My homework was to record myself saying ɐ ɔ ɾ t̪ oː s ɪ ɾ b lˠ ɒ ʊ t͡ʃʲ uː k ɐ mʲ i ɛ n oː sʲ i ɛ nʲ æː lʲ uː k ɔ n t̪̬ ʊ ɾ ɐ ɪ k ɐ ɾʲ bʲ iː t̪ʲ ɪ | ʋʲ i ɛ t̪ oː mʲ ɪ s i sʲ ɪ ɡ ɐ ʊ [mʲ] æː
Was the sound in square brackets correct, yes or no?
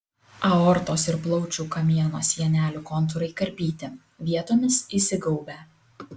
no